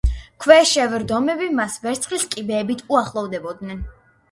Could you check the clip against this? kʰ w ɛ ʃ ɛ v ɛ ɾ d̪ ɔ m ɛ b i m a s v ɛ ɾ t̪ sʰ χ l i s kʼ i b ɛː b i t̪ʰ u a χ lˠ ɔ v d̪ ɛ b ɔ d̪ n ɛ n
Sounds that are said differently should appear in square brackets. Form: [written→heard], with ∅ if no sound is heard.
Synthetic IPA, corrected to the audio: kʰ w ɛ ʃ ɛ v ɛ ɾ d̪ ɔ m ɛ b i m a s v ɛ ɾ t̪ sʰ χ l i s kʼ i b ɛː b i t̪ʰ u a χ lˠ ɔ v d̪ ɛ b ɔ d̪ n ɛ n